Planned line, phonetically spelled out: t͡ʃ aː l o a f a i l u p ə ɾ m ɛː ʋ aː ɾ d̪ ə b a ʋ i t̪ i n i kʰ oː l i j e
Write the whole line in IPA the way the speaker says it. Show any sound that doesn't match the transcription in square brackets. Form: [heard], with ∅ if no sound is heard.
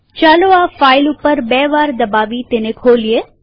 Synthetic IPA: t͡ʃ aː l o a f a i l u p ə ɾ [b] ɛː ʋ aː ɾ d̪ ə b a ʋ i t̪ [e] n [e] kʰ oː l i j e